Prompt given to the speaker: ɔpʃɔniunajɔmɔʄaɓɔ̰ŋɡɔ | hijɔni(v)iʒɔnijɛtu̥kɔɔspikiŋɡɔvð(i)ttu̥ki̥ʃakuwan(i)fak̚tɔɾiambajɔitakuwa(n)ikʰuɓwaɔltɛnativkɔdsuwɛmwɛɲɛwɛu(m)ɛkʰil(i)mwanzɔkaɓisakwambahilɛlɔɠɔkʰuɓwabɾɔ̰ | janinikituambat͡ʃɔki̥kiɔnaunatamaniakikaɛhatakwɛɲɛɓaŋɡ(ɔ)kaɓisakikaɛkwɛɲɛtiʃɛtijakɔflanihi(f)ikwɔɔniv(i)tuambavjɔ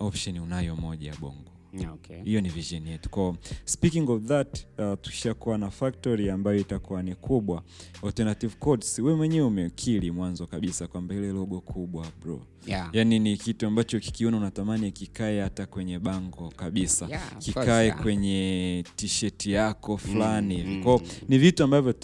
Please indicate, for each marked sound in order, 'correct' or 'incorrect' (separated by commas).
correct, incorrect, incorrect, correct, correct, correct, correct, incorrect, correct